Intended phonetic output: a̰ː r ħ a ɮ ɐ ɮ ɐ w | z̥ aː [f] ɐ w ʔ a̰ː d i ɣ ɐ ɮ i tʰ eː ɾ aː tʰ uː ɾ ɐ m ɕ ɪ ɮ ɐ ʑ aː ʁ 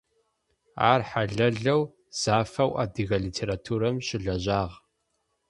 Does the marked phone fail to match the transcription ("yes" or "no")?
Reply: no